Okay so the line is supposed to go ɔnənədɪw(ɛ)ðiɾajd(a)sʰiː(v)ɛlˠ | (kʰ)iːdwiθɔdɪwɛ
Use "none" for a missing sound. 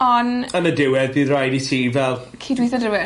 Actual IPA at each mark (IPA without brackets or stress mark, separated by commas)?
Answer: ɛ, i, v, kʰ